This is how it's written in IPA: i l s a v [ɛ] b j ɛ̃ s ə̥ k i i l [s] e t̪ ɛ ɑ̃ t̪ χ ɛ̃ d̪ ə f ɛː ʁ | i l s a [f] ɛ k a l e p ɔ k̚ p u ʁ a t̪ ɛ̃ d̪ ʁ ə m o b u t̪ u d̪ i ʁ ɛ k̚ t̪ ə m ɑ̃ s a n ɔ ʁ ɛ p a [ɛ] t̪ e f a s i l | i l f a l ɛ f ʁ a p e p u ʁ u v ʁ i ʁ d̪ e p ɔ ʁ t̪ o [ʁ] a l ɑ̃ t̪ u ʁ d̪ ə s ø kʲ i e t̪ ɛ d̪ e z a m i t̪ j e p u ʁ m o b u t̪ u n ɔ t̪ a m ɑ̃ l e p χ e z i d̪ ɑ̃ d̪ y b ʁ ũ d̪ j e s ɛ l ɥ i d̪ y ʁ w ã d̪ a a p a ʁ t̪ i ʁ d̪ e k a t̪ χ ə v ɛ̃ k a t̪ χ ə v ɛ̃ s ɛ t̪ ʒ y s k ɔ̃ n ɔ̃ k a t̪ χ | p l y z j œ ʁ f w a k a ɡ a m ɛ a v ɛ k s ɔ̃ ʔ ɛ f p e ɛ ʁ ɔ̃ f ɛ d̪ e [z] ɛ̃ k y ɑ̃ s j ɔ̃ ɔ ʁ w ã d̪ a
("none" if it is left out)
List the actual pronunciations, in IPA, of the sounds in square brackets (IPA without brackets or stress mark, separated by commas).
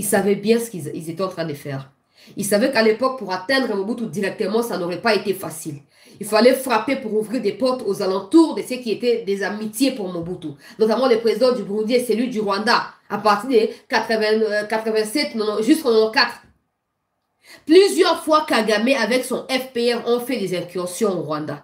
ɛ, z, v, e, z, z